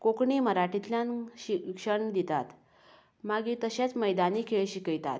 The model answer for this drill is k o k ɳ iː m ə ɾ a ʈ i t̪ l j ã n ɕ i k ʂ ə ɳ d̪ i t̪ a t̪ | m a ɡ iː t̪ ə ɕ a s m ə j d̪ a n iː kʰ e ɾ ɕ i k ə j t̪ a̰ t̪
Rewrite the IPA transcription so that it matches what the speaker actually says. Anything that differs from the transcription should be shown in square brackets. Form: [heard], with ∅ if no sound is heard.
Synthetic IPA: k o k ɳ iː m ə ɾ a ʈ i t̪ l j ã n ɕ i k ʂ ə ɳ d̪ i t̪ a t̪ | m a ɡ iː t̪ ə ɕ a [t͡s] m ə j d̪ a n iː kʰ e [ɭ] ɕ i k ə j t̪ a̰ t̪